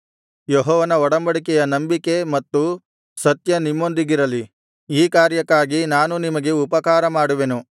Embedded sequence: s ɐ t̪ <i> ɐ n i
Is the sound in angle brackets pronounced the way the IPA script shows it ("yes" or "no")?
no